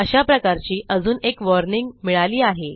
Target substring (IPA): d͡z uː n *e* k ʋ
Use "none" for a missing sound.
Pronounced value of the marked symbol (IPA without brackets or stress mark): e